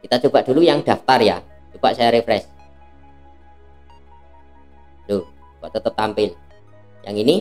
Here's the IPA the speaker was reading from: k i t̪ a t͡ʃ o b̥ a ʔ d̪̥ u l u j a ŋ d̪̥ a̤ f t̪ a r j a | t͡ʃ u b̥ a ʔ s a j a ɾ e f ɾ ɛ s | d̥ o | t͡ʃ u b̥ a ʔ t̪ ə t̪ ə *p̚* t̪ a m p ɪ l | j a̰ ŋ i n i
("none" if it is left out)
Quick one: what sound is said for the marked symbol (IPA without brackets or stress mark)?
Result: p̚